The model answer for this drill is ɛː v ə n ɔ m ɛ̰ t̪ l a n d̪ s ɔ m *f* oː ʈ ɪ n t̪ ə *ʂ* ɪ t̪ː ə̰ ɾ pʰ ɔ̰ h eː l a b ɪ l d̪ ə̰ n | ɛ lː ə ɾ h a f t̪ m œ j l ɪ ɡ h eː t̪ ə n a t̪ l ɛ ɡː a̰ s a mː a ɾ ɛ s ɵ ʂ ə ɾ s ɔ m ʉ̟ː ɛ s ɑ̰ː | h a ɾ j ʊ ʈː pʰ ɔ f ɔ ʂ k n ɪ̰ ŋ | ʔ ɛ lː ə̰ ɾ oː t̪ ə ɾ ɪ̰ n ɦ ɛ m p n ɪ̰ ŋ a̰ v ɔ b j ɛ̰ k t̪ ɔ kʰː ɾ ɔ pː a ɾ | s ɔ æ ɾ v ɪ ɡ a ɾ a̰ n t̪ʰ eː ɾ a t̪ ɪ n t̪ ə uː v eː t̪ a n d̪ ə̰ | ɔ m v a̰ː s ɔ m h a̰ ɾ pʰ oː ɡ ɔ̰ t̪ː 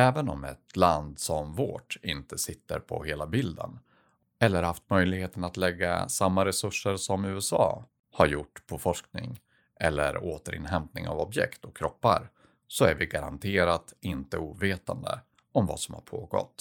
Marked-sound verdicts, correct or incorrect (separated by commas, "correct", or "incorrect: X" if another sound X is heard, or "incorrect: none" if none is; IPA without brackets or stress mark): incorrect: v, incorrect: s